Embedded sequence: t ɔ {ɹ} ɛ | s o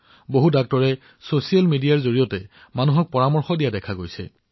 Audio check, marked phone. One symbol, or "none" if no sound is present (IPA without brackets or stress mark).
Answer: ɹ